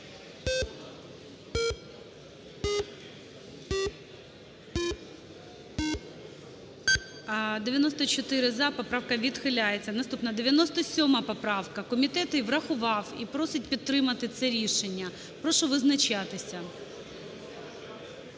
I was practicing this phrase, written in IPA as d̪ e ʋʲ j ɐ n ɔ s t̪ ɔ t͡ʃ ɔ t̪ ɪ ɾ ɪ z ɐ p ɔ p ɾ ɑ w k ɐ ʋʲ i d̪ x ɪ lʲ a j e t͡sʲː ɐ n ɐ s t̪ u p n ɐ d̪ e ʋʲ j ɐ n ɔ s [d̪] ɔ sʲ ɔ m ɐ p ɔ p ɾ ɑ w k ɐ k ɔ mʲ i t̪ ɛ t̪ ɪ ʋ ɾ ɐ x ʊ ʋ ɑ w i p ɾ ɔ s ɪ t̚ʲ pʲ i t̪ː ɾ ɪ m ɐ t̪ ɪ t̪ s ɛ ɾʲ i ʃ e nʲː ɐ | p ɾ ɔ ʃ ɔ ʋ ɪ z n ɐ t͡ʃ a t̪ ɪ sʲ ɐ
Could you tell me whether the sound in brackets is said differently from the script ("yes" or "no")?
yes